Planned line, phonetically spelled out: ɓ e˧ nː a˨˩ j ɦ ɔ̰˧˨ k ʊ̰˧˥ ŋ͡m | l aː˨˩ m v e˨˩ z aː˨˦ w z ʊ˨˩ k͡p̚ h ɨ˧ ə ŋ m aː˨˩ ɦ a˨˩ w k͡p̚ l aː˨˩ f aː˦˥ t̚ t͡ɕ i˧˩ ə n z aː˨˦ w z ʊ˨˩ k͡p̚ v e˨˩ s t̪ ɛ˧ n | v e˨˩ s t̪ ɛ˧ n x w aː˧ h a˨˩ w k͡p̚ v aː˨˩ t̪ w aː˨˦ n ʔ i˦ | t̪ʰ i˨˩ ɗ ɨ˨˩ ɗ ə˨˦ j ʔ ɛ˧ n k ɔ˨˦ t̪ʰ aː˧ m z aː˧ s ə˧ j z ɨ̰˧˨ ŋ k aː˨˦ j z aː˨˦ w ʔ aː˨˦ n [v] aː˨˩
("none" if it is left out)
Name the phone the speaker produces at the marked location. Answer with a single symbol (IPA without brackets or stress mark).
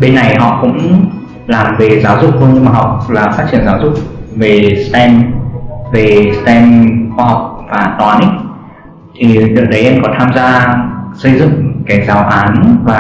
v